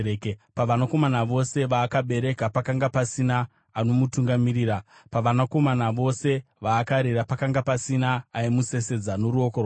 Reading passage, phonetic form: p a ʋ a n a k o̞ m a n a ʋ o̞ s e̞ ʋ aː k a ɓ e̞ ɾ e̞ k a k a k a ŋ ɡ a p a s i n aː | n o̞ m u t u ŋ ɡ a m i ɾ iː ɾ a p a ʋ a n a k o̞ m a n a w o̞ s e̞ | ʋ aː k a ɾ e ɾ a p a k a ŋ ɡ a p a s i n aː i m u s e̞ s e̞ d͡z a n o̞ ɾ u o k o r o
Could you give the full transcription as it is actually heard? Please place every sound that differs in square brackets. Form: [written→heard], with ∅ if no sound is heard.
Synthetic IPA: p a ʋ a n a k o̞ m a n a ʋ o̞ s e̞ ʋ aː k a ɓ e̞ ɾ e̞ k a [k→p] a k a ŋ ɡ a p a s i n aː | n o̞ m u t u ŋ ɡ a m i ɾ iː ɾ a p a ʋ a n a k o̞ m a n a [w→ʋ] o̞ s e̞ | ʋ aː k a ɾ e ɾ a p a k a ŋ ɡ a p a s i n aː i m u s e̞ s e̞ d͡z a n o̞ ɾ u o k o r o

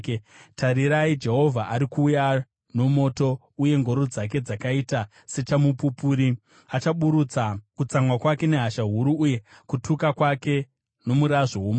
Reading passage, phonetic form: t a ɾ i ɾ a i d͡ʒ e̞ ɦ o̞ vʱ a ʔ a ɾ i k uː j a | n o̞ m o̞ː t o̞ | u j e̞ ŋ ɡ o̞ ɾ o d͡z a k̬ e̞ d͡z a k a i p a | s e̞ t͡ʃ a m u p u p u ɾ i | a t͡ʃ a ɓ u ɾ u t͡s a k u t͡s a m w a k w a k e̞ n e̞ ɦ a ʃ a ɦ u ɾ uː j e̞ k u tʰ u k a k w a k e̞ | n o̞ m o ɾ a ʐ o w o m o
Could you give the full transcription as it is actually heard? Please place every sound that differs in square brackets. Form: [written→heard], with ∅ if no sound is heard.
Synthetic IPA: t a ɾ i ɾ a i d͡ʒ e̞ ɦ o̞ vʱ a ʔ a ɾ i k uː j a | n o̞ m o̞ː t o̞ | u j e̞ ŋ ɡ o̞ ɾ o d͡z a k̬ e̞ d͡z a k a i [p→t] a | s e̞ t͡ʃ a m u p u p u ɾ i | a t͡ʃ a ɓ u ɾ u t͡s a k u t͡s a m w a k w a k e̞ n e̞ ɦ a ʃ a ɦ u ɾ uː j e̞ k u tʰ u k a k w a k e̞ | n o̞ m [o→u] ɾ a ʐ o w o m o

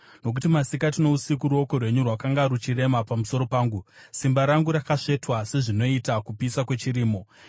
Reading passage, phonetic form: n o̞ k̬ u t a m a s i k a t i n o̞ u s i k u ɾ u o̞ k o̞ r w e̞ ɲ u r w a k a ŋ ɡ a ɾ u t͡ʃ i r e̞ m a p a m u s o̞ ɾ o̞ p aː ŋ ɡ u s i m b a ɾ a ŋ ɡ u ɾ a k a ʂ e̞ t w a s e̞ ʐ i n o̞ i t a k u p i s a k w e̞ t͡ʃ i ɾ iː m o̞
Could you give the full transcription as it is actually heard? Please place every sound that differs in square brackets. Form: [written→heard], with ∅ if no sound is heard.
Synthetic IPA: n o̞ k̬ u t [a→i] m a s i k a t i n o̞ u s i k u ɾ u o̞ k o̞ r w e̞ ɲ u r w a k a ŋ ɡ a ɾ u t͡ʃ i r e̞ m a p a m u s o̞ ɾ o̞ p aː ŋ ɡ u s i m b a ɾ a ŋ ɡ u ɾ a k a ʂ e̞ t w a s e̞ ʐ i n o̞ i t a k u p i s a k w e̞ t͡ʃ i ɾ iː m o̞

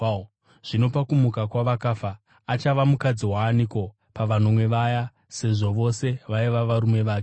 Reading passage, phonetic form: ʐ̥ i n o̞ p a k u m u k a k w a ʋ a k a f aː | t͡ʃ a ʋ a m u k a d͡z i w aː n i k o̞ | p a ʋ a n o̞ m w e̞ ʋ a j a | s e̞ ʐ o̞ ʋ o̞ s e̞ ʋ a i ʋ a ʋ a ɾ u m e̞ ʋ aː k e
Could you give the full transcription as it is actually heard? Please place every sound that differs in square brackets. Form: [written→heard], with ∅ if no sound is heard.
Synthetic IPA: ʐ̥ i n o̞ p a k u m u k a k w a ʋ a k a f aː | t͡ʃ a ʋ a m u k a d͡z i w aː n i k o̞ | p a ʋ a n o̞ m w e̞ ʋ a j a | s e̞ ʐ o̞ ʋ o̞ s e̞ ʋ a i ʋ a ʋ a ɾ u m e̞ ʋ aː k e

